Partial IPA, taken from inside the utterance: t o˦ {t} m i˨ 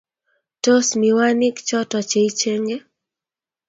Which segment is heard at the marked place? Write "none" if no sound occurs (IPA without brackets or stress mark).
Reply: s